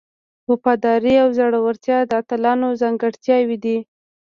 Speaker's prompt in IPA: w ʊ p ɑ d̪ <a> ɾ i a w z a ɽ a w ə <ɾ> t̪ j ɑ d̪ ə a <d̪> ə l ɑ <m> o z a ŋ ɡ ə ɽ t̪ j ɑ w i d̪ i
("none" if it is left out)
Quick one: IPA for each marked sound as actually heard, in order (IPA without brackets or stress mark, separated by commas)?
ɑ, ɾ, t̪, n